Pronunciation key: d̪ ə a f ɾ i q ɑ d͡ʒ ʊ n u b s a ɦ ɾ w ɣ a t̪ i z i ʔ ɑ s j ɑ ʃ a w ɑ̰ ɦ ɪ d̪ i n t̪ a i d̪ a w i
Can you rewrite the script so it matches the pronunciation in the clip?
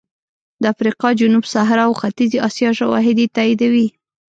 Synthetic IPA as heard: d̪ ə a f ɾ i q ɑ d͡ʒ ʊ n u b s a ɦ ɾ w x a t̪ i z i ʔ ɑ s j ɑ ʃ a w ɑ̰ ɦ ɪ d̪ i t̪ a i d̪ a w i